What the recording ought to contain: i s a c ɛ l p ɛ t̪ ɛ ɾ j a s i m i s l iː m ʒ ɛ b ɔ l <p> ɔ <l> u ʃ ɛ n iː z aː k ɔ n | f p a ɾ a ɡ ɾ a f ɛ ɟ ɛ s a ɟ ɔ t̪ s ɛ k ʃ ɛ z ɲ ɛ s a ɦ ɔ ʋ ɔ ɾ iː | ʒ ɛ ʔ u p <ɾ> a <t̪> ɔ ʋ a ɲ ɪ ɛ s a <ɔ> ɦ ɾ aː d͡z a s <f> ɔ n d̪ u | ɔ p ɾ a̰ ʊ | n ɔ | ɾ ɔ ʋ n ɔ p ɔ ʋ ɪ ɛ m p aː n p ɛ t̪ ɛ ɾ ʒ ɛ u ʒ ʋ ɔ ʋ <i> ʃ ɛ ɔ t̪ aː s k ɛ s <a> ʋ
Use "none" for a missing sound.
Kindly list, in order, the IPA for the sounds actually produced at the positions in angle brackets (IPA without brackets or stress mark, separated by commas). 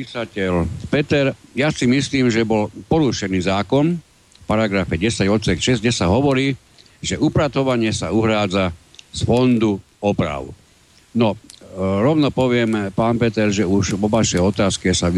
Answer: p, ɾ, ɾ, t̪, u, f, a, a